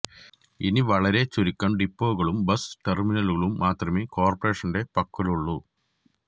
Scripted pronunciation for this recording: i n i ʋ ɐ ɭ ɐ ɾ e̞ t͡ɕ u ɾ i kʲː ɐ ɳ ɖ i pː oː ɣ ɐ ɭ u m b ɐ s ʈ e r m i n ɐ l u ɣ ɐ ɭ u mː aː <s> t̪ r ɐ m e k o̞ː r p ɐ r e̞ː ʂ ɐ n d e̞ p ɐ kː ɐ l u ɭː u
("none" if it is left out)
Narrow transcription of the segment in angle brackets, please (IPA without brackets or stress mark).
none